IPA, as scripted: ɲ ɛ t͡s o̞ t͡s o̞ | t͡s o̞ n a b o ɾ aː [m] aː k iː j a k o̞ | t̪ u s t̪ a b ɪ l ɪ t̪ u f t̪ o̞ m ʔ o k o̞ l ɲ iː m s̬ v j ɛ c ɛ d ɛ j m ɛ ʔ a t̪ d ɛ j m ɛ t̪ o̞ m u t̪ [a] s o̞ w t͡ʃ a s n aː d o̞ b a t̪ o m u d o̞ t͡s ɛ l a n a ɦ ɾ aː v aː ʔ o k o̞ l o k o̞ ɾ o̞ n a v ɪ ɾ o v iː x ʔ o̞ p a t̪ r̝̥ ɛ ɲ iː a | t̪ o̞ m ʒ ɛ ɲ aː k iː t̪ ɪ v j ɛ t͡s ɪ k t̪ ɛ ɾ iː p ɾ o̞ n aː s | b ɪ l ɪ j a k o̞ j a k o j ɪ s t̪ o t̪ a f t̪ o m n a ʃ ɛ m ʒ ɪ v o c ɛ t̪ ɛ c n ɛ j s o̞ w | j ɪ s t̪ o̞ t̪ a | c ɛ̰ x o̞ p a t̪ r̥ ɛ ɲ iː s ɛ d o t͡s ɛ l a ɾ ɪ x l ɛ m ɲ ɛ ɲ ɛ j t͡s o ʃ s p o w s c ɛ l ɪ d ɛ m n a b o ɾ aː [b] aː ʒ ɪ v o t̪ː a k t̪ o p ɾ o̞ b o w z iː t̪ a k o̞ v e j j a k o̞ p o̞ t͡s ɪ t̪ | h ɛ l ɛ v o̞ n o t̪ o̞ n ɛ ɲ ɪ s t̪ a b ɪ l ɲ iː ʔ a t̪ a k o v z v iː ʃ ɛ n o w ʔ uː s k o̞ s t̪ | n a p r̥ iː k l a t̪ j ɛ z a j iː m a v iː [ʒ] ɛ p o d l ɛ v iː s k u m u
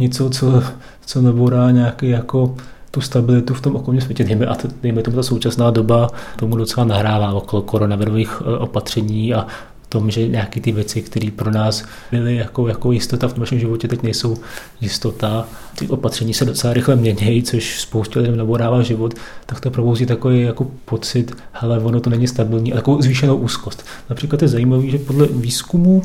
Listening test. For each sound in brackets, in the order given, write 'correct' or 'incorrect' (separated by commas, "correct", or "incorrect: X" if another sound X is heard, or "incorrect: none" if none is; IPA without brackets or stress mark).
incorrect: ɲ, correct, incorrect: v, correct